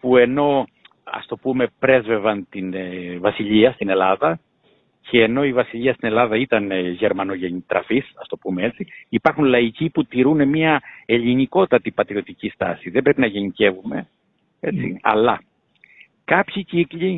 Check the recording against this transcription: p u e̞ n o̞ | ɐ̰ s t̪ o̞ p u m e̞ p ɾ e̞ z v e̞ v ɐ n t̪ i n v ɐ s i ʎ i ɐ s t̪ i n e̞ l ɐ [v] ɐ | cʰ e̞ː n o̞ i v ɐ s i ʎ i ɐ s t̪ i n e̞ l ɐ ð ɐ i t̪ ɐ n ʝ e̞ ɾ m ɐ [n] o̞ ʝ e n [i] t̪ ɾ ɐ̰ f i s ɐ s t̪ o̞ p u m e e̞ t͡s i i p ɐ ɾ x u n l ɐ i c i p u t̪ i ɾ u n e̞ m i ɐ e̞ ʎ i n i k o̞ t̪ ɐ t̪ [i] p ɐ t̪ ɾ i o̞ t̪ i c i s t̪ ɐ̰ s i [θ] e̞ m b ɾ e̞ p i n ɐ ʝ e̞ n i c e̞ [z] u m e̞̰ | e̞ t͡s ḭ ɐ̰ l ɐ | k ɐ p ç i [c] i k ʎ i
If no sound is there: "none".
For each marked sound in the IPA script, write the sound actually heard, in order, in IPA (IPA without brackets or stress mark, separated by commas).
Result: ð, n, i, i, ð, v, c